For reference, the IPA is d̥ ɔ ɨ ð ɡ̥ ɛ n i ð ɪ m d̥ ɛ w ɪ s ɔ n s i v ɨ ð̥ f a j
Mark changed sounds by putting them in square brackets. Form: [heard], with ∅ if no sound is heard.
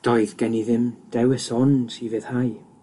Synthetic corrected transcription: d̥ ɔ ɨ ð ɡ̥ ɛ n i ð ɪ m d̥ ɛ w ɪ s ɔ n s i v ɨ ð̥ [h] a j

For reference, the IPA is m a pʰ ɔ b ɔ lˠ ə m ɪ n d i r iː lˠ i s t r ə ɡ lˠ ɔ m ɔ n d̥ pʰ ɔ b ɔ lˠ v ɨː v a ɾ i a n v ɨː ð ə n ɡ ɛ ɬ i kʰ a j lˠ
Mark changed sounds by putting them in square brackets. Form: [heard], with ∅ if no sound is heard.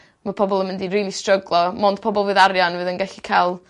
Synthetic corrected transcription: m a pʰ ɔ b ɔ lˠ ə m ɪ n d i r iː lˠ i s t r ə ɡ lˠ ɔ m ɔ n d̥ pʰ ɔ b ɔ lˠ v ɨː [ð] a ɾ [j] a n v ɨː ð ə n ɡ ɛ ɬ i kʰ a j lˠ

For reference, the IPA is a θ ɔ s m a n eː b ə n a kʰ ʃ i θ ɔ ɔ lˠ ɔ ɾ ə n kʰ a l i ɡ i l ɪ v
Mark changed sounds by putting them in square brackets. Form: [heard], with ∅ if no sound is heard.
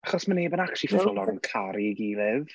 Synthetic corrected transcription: a [χ] ɔ s m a n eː b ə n a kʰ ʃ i [f] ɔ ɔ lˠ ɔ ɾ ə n kʰ a [ɾ] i ɡ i l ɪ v

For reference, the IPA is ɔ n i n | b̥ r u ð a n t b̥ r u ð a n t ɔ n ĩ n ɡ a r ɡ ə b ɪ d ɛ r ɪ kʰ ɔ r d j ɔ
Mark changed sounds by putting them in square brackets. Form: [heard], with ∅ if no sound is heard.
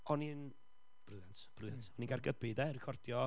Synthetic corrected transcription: ɔ n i n | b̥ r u ð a n t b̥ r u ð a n t ɔ n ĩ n ɡ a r ɡ ə b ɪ d ɛ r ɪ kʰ ɔ r d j ɔ

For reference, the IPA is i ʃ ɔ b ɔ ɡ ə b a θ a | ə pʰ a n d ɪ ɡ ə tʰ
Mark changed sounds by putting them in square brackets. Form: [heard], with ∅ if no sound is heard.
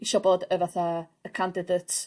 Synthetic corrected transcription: i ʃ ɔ b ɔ [d] ə [v] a θ a | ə [kʰ] a n d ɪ [d] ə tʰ

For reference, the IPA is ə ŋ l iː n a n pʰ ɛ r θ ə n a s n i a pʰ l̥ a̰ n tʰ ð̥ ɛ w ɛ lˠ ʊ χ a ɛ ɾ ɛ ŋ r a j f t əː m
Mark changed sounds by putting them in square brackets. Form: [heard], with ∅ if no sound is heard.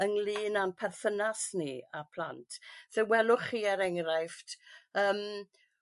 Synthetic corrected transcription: ə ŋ l iː n a n pʰ ɛ r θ ə n a s n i a pʰ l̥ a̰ n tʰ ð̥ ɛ w ɛ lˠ ʊ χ [i] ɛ ɾ ɛ ŋ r a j f t əː m

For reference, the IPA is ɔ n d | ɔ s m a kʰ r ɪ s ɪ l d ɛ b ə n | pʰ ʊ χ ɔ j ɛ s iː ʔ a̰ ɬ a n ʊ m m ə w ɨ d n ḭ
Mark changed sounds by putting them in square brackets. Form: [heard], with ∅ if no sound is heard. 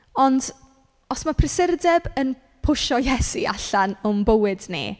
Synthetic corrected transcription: ɔ n d | ɔ s m a [pʰ] r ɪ s ɪ [r] d ɛ b ə n | pʰ ʊ [ʃ] ɔ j ɛ s [i] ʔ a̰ ɬ a n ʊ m [b] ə w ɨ d n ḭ

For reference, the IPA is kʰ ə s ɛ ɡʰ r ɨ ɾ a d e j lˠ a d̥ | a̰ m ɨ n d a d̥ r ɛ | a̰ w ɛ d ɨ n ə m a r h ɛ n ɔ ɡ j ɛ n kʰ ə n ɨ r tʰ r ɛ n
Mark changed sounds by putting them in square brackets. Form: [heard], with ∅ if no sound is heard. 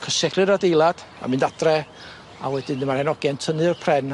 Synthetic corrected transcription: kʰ ə s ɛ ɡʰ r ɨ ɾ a d e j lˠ a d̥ | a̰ m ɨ n d a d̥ r ɛ | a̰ w ɛ d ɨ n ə m a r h ɛ n ɔ ɡ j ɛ n [tʰ] ə n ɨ r [pʰ] r ɛ n

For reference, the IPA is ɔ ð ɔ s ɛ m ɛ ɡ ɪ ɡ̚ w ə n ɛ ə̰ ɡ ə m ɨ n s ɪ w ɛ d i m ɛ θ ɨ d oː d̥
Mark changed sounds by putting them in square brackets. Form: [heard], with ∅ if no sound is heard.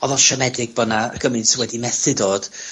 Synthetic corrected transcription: ɔ ð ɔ [ʃ] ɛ m ɛ [d] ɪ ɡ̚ [b] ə n [a] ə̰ ɡ ə m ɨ n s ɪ w ɛ d i m ɛ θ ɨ d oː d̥

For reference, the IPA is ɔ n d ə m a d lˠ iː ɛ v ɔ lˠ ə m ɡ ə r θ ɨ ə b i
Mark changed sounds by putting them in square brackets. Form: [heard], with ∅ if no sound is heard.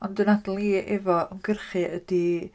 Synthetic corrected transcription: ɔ n d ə [n] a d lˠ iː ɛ v ɔ [∅] ə m ɡ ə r [χ] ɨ ə [d] i

